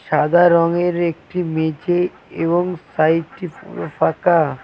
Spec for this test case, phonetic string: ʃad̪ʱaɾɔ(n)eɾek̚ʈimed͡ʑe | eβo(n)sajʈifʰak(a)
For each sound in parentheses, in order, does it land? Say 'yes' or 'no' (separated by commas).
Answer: no, no, yes